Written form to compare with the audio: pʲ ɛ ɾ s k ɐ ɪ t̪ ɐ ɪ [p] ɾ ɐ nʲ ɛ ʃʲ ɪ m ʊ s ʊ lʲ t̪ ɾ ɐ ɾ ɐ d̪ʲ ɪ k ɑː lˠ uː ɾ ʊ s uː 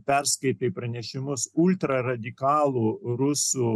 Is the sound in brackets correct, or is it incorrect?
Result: correct